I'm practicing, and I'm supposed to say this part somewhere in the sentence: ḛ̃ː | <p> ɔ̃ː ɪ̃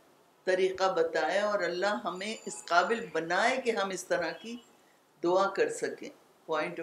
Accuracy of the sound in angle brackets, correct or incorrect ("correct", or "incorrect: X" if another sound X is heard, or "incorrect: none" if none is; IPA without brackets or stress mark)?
correct